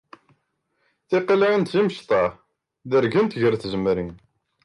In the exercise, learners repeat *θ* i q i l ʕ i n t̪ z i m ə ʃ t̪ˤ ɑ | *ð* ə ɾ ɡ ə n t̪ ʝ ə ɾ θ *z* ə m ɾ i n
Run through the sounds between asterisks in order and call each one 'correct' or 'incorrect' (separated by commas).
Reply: correct, correct, correct